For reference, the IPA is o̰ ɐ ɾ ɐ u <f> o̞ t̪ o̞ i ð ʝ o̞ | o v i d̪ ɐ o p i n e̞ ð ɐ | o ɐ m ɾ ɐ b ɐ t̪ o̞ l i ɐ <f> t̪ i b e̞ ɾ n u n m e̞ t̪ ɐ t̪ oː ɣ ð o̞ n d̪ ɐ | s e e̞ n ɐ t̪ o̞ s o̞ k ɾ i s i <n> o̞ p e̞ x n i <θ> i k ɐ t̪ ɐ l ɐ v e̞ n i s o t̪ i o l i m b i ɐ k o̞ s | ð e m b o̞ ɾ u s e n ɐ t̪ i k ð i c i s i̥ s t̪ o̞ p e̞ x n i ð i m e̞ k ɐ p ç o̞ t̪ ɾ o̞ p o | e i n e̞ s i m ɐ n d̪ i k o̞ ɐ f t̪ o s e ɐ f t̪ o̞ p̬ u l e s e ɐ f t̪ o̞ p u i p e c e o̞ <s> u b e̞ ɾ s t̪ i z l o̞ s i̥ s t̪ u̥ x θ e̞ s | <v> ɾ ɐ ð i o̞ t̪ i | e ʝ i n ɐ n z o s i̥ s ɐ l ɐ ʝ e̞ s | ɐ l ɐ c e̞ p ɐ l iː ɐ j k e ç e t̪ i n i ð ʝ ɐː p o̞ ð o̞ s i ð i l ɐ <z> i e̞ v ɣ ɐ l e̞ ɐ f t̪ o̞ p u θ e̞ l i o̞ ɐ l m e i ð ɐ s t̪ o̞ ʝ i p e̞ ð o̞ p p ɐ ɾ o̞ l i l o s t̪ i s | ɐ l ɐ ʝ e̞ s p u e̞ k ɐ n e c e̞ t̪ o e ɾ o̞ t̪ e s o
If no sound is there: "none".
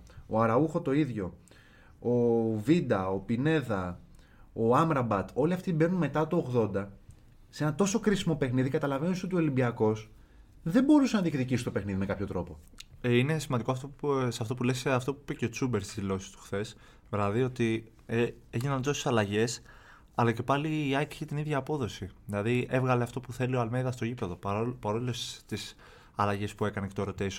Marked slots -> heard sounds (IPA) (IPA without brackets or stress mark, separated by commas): x, f, m, ð, t͡s, v, ð